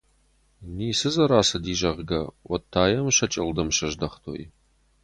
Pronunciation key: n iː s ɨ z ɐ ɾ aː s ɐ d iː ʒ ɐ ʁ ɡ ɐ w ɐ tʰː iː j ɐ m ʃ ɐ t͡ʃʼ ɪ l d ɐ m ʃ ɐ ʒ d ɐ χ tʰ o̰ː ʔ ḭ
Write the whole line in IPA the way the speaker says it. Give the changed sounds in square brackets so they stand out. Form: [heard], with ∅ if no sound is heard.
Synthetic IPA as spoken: n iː s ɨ z ɐ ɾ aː s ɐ d iː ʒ ɐ ʁ ɡ ɐ w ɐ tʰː [aː] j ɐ m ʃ ɐ t͡ʃʼ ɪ l d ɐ m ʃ ɐ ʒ d ɐ χ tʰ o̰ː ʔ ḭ